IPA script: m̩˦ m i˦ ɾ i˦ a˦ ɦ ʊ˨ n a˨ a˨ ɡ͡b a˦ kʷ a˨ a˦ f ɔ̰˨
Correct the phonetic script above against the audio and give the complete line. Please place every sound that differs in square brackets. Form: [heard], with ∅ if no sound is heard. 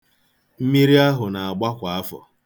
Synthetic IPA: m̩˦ m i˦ ɾ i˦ a˦ ɦ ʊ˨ n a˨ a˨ ɡ͡b a˦ kʷ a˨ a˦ f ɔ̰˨